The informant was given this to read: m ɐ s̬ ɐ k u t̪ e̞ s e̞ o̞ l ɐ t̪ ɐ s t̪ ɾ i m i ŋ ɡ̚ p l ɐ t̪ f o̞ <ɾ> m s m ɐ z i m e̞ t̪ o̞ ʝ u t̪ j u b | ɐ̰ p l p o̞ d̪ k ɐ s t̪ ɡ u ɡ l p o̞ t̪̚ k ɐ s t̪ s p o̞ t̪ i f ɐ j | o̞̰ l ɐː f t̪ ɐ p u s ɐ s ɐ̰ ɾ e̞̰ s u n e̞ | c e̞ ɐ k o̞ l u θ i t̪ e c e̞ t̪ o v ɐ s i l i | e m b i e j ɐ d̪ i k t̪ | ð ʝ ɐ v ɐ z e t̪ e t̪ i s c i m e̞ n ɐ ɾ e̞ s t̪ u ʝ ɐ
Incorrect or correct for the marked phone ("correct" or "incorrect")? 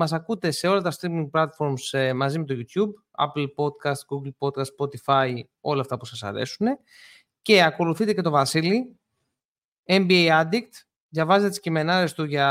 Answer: correct